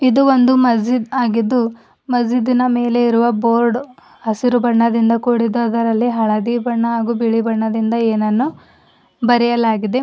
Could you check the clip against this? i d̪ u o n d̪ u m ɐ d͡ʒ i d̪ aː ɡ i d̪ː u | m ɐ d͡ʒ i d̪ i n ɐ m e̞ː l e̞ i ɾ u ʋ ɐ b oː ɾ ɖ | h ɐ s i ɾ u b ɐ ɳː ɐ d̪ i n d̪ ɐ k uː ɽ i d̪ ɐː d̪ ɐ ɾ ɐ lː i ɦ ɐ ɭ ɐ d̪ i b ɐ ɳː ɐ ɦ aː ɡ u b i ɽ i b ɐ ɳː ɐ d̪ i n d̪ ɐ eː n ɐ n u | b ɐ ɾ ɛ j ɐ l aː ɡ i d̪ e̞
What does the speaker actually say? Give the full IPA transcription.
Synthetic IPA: i d̪ u o n d̪ u m ɐ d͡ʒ i d̪ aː ɡ i d̪ː u | m ɐ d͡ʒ i d̪ i n ɐ m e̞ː l e̞ i ɾ u ʋ ɐ b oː ɾ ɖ | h ɐ s i ɾ u b ɐ ɳː ɐ d̪ i n d̪ ɐ k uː ɽ i d̪ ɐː d̪ ɐ ɾ ɐ lː i ɦ ɐ ɭ ɐ d̪ i b ɐ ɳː ɐ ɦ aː ɡ u b i ɭ i b ɐ ɳː ɐ d̪ i n d̪ ɐ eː n ɐ nː u | b ɐ ɾ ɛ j ɐ l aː ɡ i d̪ e̞